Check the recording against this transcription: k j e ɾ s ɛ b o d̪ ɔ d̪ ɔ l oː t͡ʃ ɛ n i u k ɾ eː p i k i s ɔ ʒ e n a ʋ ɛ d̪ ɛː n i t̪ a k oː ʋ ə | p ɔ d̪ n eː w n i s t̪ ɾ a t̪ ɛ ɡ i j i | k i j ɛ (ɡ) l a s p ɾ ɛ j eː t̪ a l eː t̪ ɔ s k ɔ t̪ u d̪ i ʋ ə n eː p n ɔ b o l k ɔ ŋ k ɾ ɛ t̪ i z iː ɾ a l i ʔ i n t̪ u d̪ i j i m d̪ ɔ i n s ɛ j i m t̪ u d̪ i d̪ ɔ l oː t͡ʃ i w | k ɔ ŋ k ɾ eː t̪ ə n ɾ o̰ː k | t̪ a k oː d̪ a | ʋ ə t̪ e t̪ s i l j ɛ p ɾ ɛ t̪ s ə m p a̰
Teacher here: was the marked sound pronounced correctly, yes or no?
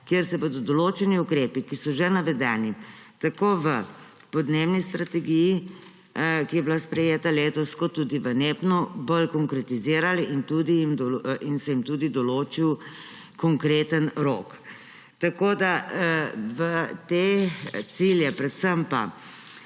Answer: no